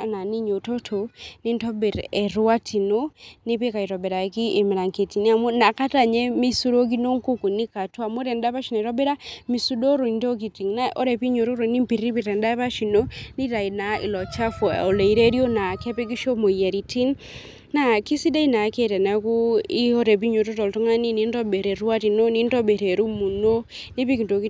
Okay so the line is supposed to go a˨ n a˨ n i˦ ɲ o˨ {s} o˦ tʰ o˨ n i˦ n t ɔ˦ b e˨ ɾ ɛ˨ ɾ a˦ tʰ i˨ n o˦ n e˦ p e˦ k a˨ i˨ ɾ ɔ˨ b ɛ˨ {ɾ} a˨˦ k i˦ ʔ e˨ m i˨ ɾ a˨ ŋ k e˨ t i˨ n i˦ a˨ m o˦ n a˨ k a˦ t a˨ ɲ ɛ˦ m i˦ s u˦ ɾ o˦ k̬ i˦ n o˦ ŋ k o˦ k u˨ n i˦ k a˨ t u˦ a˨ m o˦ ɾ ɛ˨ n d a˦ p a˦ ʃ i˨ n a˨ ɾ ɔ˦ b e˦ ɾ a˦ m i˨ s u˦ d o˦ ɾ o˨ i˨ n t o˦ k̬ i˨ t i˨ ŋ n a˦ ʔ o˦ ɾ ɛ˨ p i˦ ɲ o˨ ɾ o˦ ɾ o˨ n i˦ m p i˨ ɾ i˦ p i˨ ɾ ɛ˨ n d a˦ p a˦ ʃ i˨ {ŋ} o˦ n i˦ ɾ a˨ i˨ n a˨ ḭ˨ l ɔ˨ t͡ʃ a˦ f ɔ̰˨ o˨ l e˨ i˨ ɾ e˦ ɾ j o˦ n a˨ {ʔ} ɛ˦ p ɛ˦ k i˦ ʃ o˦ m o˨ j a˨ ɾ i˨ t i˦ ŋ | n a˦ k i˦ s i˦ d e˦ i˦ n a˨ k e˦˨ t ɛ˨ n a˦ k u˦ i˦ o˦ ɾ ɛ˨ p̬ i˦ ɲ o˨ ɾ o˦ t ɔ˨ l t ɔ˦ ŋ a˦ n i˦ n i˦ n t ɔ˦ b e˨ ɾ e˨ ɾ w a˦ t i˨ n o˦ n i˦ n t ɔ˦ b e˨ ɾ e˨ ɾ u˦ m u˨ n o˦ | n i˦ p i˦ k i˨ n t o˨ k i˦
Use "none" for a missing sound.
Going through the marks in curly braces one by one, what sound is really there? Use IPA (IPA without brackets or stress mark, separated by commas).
t, ɾ, n, k